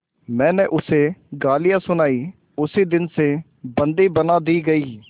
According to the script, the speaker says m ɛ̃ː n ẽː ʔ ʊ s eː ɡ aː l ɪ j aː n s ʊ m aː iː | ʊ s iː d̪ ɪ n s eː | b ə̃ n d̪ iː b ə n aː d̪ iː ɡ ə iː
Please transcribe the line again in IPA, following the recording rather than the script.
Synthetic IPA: m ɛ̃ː n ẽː ʔ ʊ s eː ɡ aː l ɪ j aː s ʊ n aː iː | ʊ s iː d̪ ɪ n s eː | b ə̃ n d̪ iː b ə n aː d̪ iː ɡ ə iː